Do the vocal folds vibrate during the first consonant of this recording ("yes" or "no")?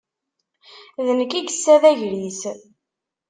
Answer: yes